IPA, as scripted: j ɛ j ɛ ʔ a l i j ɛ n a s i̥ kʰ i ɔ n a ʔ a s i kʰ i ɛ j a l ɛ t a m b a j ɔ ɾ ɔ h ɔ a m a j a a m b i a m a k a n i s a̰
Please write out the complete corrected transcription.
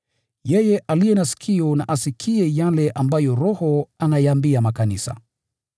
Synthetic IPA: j ɛ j ɛ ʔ a l i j ɛ n a s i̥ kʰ i ɔ n a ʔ a s i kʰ i ɛ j a l ɛ ʔ a m b a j ɔ ɾ ɔ h ɔ a n a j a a m b i a m a k a n i s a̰